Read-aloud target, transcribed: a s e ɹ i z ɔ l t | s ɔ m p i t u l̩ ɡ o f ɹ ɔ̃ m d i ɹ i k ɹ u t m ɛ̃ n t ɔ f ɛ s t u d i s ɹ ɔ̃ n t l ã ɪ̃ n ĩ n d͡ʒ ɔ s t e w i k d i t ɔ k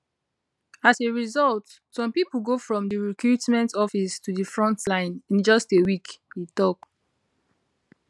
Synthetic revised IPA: a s e ɹ i z ɔ l t | s ɔ̃ m p i p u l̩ ɡ o f ɹ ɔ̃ m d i ɹ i k ɹ u t m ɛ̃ n t ɔ f i s t u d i f ɹ ɔ̃ n t l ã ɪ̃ n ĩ n d͡ʒ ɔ s t e w i k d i t ɔ k